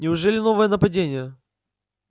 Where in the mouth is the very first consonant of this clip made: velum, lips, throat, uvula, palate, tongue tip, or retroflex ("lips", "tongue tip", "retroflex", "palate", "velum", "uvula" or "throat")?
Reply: tongue tip